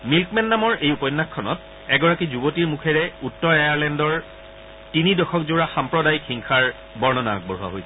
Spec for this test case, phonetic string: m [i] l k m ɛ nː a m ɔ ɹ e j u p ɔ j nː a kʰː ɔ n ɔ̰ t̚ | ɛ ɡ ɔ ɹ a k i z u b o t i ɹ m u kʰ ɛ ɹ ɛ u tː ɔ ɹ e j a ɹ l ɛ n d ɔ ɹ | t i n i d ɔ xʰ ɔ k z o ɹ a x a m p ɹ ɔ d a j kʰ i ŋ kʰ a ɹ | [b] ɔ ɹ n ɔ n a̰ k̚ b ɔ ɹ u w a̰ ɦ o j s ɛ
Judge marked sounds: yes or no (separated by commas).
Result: yes, yes